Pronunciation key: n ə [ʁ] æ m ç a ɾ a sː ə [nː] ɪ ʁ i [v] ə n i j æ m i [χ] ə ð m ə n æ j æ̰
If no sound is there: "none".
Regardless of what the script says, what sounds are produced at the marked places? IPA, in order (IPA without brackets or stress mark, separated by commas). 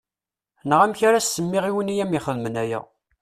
ʁ, mː, w, χ